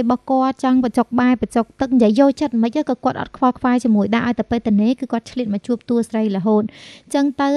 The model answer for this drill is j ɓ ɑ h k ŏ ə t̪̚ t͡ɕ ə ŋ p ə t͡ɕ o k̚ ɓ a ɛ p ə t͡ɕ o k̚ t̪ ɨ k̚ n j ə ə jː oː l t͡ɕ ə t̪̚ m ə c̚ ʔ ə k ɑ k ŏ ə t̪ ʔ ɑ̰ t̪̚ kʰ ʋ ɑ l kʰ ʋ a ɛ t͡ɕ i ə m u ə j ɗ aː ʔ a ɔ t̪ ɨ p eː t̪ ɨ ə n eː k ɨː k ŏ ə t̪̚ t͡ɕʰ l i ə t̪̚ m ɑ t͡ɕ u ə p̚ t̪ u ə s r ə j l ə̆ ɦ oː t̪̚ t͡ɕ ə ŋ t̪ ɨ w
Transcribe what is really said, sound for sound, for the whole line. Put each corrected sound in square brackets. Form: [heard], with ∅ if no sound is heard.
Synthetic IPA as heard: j ɓ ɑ h k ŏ ə t̪̚ t͡ɕ [ɑ] ŋ p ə t͡ɕ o k̚ ɓ a ɛ p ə t͡ɕ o k̚ t̪ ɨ k̚ n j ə ə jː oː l t͡ɕ ə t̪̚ m ə c̚ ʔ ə k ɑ k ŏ ə t̪ ʔ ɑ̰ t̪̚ kʰ ʋ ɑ l kʰ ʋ a ɛ t͡ɕ i ə m u ə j ɗ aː ʔ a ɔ t̪ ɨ p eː t̪ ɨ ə n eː k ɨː k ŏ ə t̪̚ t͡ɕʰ l i ə t̪̚ m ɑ t͡ɕ u ə p̚ t̪ u ə s r ə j l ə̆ ɦ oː t̪̚ t͡ɕ ə ŋ t̪ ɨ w